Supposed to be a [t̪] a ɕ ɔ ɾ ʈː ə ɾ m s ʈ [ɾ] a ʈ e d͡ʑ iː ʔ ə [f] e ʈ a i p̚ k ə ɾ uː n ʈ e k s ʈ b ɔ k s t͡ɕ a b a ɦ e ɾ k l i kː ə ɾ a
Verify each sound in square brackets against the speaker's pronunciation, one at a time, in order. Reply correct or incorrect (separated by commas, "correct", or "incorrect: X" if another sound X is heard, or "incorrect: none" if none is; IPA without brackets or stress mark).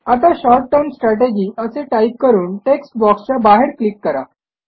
correct, correct, incorrect: s